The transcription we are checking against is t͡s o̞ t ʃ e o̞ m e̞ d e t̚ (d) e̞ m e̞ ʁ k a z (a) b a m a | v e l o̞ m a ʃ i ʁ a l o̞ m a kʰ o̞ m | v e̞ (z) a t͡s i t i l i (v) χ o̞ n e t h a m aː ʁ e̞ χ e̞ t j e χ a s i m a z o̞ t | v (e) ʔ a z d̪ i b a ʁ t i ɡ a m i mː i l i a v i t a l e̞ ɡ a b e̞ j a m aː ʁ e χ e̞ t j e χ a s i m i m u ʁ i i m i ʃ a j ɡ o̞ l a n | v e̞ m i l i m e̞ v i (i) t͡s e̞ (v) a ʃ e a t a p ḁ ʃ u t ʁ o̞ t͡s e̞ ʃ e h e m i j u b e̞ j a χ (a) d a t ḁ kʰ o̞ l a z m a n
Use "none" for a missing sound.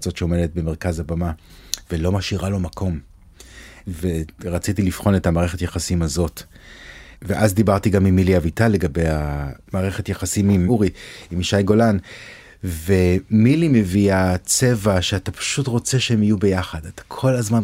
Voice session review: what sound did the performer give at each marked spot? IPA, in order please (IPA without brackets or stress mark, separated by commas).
b, a, ʁ, f, e, a, v, a